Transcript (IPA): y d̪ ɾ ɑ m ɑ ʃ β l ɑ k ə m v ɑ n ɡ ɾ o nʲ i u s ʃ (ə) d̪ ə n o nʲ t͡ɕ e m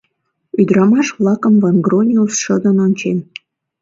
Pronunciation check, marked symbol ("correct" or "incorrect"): correct